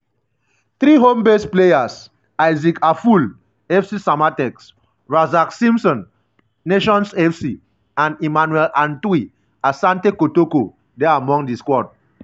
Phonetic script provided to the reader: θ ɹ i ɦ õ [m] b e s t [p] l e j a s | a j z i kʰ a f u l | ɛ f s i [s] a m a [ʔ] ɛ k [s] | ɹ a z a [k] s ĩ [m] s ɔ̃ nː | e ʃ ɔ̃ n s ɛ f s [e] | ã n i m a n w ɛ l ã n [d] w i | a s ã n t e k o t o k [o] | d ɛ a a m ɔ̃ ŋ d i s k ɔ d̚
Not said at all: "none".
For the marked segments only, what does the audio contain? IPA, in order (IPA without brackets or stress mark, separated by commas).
m, p, s, t, s, k, m, i, t, o